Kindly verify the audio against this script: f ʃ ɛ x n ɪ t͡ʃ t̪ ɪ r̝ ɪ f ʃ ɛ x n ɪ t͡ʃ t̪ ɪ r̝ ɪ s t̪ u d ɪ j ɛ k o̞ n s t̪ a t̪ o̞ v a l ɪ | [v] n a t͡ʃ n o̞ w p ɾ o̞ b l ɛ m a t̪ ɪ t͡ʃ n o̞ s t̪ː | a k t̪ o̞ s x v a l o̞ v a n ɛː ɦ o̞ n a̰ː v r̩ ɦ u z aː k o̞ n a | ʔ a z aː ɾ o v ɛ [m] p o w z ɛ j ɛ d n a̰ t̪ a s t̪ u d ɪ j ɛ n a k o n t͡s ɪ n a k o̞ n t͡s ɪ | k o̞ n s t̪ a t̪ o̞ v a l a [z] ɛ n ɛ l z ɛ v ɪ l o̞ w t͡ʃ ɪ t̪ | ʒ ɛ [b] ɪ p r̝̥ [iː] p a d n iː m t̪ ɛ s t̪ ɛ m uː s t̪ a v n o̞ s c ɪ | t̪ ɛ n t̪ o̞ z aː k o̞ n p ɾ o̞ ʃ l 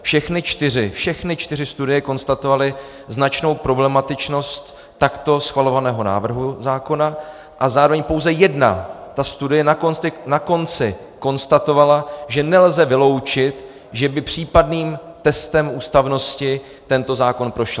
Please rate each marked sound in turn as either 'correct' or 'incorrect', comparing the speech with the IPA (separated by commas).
incorrect, incorrect, incorrect, correct, correct